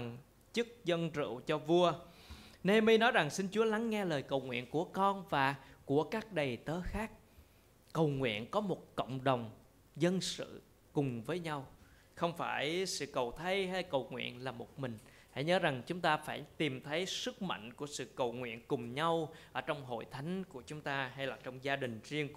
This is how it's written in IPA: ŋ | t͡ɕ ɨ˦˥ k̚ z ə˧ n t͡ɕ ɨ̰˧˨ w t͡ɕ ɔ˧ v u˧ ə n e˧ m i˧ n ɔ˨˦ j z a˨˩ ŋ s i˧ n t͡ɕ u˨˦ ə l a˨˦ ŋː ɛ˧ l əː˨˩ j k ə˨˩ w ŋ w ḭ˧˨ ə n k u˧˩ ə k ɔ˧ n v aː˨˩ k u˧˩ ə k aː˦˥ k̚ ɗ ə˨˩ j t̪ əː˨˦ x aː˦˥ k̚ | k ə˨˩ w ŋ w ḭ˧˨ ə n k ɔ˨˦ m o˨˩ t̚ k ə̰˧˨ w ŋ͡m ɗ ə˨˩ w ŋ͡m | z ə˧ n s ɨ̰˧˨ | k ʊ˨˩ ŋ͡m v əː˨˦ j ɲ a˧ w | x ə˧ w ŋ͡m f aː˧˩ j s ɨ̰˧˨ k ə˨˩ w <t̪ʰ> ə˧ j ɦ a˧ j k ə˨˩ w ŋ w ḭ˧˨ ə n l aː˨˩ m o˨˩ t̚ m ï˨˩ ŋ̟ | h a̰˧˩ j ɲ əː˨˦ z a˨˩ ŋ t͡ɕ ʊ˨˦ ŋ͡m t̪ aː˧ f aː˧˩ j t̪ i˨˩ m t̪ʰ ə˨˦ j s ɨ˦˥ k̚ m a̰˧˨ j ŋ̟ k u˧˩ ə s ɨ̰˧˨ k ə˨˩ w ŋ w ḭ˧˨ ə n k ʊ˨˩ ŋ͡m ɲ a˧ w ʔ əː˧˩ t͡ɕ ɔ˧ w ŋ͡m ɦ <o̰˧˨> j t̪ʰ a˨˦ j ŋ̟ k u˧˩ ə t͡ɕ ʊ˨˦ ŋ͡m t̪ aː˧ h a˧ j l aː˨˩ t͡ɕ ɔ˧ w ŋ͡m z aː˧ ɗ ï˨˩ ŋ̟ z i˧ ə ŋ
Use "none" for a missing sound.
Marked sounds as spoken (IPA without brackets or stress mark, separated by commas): t̪ʰ, o̰˧˨